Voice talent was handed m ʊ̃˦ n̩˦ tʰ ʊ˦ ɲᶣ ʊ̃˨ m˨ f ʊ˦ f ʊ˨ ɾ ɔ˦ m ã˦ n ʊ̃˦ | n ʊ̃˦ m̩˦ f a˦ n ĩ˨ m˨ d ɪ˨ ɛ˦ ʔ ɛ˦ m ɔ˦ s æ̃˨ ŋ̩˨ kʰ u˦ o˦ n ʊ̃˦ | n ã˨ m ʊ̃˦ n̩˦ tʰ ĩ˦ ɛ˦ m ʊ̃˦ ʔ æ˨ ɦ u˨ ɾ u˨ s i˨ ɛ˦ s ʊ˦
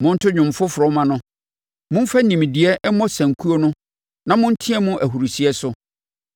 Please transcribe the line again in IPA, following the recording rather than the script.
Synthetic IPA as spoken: m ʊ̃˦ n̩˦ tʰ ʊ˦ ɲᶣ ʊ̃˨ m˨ f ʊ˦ f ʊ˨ ɾ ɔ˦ m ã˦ n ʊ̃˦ | m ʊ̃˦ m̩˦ f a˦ n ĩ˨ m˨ d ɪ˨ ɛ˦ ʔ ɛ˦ m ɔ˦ s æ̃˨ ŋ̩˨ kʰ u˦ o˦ n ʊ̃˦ | n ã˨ m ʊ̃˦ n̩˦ tʰ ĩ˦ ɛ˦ m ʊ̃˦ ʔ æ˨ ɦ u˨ ɾ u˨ s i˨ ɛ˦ s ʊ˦

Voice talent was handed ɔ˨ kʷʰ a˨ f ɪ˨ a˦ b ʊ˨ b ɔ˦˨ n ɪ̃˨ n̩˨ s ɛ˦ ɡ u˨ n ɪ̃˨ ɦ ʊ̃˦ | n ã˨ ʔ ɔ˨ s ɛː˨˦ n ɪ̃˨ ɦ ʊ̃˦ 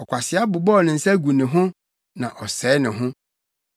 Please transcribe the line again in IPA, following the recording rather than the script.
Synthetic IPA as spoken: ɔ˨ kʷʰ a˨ s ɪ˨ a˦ b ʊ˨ b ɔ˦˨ n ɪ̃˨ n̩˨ s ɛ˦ ɡ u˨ n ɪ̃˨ ɦ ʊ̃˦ | n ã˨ ʔ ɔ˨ s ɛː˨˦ n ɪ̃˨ ɦ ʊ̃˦

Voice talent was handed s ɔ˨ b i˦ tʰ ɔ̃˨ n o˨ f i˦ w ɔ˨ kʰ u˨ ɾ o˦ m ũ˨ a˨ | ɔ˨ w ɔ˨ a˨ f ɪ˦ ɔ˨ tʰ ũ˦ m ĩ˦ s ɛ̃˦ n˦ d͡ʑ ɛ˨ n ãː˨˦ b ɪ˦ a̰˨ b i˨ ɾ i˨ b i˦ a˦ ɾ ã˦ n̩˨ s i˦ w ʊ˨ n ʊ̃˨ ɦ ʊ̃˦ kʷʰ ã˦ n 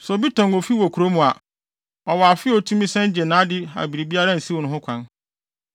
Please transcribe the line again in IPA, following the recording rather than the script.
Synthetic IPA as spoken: s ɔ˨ b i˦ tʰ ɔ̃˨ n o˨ f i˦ w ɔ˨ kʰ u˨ ɾ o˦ m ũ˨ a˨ | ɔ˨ w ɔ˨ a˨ f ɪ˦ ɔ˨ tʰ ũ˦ m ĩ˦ s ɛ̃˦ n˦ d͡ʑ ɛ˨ n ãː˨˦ d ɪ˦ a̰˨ b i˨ ɾ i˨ b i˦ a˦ ɾ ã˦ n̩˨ s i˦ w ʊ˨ n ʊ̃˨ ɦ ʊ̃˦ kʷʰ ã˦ n

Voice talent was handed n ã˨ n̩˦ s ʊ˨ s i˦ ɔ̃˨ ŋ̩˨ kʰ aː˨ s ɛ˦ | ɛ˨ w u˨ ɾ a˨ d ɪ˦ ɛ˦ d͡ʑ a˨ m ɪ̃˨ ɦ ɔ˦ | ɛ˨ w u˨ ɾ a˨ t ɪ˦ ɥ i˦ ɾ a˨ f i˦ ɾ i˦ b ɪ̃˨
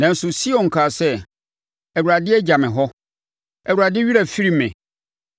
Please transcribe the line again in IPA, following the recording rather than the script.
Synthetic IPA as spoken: n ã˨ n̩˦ s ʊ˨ s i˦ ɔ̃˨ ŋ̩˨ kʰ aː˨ s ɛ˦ | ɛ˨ w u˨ ɾ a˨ d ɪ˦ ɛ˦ d͡ʑ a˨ m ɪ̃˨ ɦ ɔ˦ | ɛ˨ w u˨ ɾ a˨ d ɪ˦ ɥ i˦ ɾ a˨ f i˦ ɾ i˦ m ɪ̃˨

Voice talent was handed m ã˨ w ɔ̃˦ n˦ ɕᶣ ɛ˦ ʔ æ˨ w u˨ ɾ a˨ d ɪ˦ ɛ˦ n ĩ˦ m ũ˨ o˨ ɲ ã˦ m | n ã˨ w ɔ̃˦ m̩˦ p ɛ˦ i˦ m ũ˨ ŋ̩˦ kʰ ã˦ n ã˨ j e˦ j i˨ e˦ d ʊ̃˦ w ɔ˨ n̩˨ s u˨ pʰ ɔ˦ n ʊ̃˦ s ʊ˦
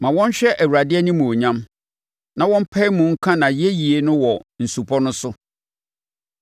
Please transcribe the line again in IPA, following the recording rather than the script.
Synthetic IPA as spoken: m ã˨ w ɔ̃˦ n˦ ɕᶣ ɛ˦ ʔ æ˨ w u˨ ɾ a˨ d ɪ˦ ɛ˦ n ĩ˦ m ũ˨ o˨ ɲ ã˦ m | n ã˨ w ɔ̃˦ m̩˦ pʰ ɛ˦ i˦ m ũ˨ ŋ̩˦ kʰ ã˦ n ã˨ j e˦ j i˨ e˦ n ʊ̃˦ w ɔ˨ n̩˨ s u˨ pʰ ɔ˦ n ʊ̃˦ s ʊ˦

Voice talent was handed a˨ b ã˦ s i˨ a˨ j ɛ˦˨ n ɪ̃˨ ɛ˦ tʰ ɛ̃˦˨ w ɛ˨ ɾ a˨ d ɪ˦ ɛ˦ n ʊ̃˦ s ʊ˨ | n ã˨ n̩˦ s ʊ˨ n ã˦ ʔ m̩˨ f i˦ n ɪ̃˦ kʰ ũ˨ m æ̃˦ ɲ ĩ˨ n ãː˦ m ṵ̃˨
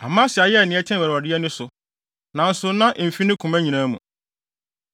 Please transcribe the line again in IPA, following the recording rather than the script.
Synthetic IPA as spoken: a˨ m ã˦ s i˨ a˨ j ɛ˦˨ n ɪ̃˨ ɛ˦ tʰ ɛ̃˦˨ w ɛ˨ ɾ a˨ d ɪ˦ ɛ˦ n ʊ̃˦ s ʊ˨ | n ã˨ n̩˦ s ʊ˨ n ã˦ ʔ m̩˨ f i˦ n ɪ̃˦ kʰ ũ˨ m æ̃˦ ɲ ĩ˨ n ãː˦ m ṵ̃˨

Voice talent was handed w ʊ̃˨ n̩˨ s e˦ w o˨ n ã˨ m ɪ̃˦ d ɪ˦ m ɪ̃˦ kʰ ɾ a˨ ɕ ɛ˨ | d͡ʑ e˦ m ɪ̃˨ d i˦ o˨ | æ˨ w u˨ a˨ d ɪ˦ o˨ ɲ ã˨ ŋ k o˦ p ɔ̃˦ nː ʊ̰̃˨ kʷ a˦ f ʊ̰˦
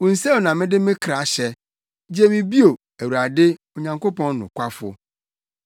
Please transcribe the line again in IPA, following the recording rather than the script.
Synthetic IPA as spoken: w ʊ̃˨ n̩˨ s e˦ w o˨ n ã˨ m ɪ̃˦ d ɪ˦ m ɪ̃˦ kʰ ɾ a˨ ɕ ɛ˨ | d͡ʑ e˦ m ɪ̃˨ b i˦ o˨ | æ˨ w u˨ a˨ d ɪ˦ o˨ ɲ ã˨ ŋ k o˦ p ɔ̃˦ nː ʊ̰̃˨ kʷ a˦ f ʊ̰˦

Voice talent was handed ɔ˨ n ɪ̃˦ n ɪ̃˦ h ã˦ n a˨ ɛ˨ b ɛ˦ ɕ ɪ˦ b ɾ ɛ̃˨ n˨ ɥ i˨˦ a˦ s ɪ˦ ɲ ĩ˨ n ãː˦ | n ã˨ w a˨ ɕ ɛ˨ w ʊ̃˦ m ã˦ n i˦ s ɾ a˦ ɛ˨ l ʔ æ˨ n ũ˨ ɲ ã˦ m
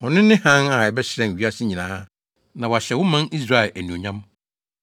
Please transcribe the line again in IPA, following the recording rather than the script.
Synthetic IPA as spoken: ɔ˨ n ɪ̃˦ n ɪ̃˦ h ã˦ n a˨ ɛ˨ b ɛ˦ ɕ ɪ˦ ɾ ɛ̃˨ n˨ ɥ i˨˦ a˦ s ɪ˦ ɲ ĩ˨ n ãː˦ | n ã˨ w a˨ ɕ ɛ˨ w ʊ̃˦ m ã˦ n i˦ s ɾ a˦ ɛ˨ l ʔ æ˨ n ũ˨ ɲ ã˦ m

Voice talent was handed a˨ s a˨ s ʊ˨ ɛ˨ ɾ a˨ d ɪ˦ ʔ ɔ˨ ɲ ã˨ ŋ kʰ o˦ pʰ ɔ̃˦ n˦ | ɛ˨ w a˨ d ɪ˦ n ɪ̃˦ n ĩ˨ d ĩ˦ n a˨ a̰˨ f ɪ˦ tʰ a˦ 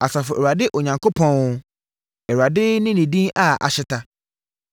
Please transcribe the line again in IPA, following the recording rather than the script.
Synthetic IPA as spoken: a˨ s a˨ f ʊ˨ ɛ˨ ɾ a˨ d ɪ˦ ʔ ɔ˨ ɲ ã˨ ŋ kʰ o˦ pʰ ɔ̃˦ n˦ | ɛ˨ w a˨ d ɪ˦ n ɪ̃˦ n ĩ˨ d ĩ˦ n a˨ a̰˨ ɕ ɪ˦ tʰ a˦

